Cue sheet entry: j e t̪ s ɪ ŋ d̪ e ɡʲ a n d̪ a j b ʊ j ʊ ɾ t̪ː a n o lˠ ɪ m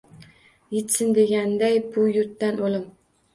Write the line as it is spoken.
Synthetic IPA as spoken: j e t̪ s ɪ n d̪ e ɡʲ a n d̪ a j b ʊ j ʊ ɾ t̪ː a n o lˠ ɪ m

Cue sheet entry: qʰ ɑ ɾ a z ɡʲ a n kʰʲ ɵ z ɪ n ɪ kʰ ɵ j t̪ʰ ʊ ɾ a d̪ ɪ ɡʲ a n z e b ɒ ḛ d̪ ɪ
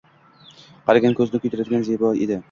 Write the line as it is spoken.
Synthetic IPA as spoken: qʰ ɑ ɾ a ɡʲ a n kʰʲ ɵ z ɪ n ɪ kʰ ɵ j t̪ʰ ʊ ɾ a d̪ ɪ ɡʲ a n z e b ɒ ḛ d̪ ɪ

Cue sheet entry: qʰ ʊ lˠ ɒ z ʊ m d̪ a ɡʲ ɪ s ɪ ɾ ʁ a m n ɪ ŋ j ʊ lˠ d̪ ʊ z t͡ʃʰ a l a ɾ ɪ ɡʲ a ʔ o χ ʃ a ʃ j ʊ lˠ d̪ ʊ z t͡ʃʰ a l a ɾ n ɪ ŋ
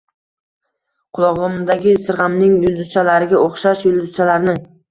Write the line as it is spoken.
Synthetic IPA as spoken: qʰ ʊ lˠ ɒ ʁ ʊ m d̪ a ɡʲ ɪ s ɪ ɾ ʁ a m n ɪ ŋ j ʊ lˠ d̪ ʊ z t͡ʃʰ a l a ɾ ɪ ɡʲ a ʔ o χ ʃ a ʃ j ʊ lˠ d̪ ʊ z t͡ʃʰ a l a ɾ n ɪ ŋ

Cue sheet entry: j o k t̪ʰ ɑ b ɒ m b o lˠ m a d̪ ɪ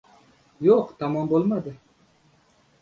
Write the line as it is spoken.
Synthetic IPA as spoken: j o q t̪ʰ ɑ m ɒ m b o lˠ m a d̪ ɪ

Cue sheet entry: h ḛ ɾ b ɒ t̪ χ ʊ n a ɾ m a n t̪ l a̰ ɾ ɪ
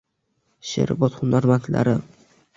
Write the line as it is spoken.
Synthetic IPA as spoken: ʃ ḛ ɾ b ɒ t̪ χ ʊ n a ɾ m a n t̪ l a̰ ɾ ɪ

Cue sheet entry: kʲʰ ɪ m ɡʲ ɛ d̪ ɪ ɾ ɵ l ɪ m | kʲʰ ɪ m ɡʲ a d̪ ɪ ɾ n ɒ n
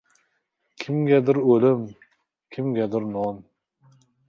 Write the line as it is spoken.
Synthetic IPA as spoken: kʲʰ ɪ m ɡʲ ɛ d̪ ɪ ɾ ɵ l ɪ m | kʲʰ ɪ m ɡʲ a d̪ ɪ ɾ n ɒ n

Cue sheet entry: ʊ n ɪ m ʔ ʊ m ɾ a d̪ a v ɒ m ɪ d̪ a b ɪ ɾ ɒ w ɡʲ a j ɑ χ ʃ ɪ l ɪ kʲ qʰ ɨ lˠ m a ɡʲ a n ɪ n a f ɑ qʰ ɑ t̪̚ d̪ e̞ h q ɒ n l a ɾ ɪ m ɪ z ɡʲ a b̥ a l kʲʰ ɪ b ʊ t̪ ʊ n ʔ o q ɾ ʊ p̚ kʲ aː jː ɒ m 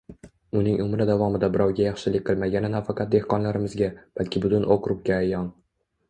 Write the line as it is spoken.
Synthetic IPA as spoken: ʊ n ɪ ŋ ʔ ʊ m ɾ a d̪ a v ɒ m ɪ d̪ a b ɪ ɾ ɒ w ɡʲ a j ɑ χ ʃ ɪ l ɪ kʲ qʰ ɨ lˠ m a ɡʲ a n ɪ n a f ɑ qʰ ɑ t̪̚ d̪ e̞ h q ɒ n l a ɾ ɪ m ɪ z ɡʲ a b̥ a l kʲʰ ɪ b ʊ t̪ ʊ n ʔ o q ɾ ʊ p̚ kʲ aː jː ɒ n

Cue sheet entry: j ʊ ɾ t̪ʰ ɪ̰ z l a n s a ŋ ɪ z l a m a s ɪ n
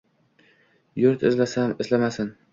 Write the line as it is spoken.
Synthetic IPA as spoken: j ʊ ɾ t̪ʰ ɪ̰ z l a s a m ɪ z l a m a s ɪ n

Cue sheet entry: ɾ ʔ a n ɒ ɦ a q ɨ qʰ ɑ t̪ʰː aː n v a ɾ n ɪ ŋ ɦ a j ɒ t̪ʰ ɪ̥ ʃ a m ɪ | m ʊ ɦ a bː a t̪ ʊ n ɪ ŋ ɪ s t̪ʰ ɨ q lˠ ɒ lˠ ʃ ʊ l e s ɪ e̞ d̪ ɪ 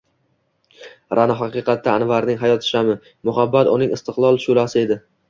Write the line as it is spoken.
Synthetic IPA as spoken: ɾ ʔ a n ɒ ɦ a q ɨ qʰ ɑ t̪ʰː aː n v a ɾ n ɪ ŋ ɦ a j ɒ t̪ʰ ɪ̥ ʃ a m ɪ | m ʊ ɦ a bː a t̪ ʊ n ɪ ŋ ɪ s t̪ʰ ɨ q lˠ ɒ lˠ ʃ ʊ l a s ɪ e̞ d̪ ɪ

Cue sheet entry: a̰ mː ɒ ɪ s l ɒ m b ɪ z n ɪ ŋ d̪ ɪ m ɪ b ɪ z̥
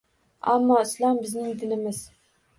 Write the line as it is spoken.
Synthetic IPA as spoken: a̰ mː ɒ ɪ s l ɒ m b ɪ z n ɪ ŋ d̪ ɪ n ɪ m ɪ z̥

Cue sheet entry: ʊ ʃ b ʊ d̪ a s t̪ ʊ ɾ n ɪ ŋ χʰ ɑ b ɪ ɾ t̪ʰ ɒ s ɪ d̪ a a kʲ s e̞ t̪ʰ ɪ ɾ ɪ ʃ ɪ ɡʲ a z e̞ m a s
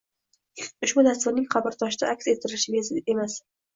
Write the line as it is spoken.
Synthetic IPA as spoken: ʊ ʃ b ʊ d̪ a s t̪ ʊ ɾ n ɪ ŋ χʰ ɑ b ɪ ɾ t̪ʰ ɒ ʃ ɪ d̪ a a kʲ s e̞ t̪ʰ ɪ ɾ ɪ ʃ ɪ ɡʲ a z e̞ m a s

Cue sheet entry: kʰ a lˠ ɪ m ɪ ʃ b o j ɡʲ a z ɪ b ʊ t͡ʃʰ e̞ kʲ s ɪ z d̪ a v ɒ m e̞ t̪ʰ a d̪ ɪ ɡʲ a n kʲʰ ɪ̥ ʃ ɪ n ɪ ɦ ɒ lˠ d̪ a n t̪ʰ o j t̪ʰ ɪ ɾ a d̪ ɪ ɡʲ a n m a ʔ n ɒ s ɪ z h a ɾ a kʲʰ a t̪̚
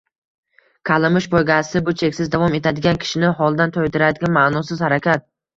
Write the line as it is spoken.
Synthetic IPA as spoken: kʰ a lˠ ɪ m ɪ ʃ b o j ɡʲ a s ɪ b ʊ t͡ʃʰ e̞ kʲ s ɪ z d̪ a v ɒ m e̞ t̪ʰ a d̪ ɪ ɡʲ a n kʲʰ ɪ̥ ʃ ɪ n ɪ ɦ ɒ lˠ d̪ a n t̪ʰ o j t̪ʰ ɪ ɾ a d̪ ɪ ɡʲ a n m a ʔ n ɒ s ɪ z h a ɾ a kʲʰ a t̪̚

